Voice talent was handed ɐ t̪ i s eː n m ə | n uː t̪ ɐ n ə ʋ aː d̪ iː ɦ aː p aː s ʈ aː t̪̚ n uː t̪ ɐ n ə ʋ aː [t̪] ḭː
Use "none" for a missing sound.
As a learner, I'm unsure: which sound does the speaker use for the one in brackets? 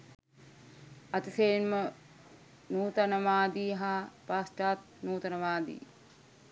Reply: d̪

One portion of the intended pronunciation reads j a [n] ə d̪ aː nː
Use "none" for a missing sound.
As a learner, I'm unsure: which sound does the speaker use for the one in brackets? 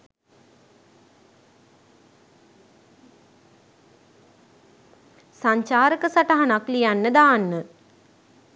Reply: nː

